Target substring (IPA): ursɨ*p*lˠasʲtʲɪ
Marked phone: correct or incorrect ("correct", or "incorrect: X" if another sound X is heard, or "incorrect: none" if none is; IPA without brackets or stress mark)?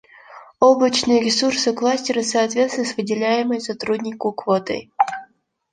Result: incorrect: k